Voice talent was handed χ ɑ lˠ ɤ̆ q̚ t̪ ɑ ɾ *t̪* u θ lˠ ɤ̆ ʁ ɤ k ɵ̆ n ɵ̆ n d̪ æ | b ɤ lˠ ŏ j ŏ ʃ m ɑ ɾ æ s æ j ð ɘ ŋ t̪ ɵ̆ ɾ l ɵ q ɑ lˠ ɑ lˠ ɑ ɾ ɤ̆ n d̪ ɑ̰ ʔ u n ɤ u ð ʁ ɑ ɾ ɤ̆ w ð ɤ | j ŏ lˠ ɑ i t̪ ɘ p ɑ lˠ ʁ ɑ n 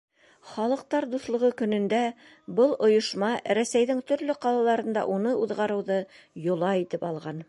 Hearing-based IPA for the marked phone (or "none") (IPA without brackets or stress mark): d̪